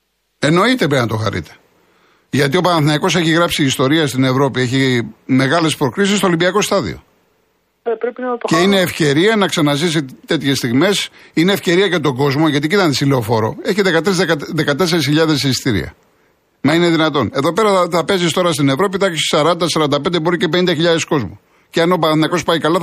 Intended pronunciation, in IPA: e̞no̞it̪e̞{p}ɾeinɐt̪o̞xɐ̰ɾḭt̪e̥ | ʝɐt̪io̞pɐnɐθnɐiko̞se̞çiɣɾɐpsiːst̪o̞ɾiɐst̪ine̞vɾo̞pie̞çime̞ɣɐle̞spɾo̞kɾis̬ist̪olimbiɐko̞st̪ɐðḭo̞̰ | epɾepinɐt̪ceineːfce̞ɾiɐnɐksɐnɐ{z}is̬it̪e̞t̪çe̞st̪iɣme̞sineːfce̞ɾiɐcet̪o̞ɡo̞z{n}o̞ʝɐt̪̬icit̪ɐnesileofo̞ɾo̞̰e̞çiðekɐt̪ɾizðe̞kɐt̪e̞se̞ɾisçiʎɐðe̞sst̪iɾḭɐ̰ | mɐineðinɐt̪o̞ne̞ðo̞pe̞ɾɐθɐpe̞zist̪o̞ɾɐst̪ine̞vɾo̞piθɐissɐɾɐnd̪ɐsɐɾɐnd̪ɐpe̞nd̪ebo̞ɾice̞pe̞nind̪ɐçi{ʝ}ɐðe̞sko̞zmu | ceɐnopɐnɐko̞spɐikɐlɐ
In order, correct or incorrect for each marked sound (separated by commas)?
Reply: correct, correct, incorrect, incorrect